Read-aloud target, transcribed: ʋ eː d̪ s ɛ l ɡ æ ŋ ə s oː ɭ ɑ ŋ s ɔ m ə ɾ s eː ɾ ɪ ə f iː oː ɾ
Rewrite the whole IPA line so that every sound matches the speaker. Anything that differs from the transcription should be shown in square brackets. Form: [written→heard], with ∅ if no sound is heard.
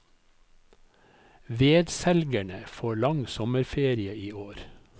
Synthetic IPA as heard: ʋ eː d̪ s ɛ l ɡ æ [ŋ→ɳ] ə [s→f] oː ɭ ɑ ŋ s ɔ m ə ɾ [s→f] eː ɾ ɪ ə [f→∅] iː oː ɾ